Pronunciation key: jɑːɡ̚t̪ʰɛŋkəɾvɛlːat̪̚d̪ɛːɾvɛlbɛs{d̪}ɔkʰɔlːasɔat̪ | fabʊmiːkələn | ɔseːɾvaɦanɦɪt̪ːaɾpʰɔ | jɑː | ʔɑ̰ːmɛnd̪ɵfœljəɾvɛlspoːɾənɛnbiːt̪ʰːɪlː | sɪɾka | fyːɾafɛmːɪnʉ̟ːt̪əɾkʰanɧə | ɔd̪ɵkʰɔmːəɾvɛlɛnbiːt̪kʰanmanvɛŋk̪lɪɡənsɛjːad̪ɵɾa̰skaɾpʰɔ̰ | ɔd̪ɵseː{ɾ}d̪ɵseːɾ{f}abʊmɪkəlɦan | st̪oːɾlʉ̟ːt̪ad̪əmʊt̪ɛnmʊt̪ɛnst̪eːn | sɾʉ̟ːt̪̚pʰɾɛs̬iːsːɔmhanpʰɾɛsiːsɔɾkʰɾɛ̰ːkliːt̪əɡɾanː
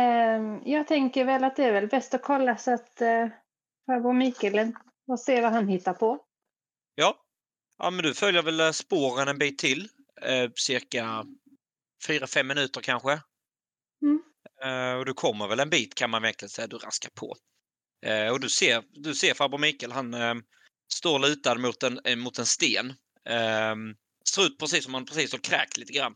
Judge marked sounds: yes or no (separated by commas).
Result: no, yes, yes